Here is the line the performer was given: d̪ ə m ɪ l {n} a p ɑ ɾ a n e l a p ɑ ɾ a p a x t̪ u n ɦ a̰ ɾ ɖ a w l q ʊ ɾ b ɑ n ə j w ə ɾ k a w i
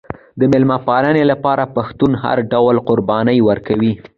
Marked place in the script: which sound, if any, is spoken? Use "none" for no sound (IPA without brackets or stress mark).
m